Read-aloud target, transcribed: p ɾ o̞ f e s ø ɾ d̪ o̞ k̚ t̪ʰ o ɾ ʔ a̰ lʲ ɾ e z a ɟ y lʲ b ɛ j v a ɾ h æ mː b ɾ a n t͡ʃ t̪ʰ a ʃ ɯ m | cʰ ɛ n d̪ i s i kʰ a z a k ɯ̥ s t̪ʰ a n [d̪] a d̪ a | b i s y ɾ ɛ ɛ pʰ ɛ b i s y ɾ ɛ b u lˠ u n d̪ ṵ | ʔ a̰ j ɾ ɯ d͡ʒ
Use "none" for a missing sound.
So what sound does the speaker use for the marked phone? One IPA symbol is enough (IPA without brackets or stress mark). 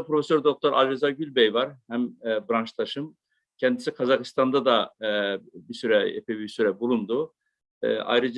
d̪